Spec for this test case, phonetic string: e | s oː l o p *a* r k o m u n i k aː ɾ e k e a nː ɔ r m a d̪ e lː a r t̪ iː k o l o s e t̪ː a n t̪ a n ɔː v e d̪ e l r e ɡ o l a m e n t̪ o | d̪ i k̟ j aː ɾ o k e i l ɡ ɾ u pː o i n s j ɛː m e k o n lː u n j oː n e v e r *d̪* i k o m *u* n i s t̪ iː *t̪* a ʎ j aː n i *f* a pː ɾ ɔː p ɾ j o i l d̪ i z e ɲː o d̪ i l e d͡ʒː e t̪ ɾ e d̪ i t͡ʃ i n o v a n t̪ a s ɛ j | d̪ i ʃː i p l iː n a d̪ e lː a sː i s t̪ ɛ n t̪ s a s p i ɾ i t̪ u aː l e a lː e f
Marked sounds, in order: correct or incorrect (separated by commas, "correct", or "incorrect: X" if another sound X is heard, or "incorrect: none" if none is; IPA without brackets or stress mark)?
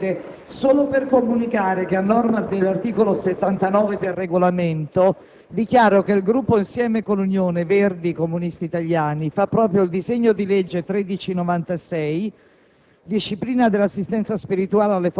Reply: incorrect: e, correct, correct, correct, correct